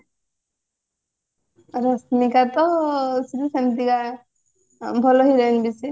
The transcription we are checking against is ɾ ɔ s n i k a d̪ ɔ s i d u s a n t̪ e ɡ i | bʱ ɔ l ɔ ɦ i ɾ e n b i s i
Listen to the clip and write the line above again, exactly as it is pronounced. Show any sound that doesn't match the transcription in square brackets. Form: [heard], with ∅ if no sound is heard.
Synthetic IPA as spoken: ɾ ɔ s n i k a [t̪] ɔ s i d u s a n t̪ [i] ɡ [a] | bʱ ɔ l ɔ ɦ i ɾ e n b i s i

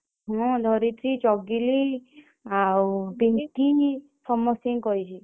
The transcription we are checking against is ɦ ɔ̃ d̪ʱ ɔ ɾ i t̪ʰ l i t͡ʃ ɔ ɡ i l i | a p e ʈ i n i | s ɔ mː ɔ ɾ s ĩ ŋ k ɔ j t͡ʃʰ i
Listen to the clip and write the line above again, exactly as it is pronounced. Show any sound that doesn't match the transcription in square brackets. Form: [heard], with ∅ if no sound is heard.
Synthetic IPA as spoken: ɦ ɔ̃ d̪ʱ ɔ ɾ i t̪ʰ [ɾ] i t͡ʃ ɔ ɡ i l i | a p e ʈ i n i | s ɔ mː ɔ [∅] s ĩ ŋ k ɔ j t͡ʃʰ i

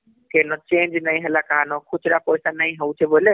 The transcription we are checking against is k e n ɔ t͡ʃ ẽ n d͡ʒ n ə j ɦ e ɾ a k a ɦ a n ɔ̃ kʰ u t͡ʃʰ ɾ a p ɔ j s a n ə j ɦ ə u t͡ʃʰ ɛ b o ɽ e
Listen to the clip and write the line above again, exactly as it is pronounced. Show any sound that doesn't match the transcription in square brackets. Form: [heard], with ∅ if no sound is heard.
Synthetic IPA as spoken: k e n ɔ t͡ʃ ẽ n d͡ʒ n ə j ɦ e [l] a k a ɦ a n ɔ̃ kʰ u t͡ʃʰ ɾ a p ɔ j s a n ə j ɦ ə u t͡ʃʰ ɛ b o [l] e

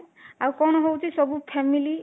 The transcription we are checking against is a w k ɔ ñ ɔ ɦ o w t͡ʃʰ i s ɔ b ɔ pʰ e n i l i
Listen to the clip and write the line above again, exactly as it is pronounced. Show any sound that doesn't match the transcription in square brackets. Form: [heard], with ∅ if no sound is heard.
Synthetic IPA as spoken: a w k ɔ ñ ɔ ɦ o w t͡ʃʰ i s ɔ b [u] pʰ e [m] i l i

